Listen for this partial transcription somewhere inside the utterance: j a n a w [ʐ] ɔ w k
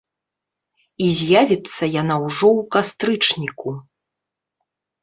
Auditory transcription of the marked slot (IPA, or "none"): ʐ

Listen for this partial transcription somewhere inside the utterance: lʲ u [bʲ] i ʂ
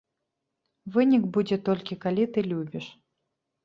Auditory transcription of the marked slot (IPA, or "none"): bʲ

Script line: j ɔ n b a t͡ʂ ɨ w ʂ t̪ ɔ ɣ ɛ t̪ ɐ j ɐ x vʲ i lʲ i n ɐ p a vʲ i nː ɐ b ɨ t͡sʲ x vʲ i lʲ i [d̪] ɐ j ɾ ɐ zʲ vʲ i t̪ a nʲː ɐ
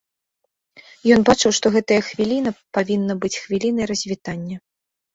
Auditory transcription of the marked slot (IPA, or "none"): n̪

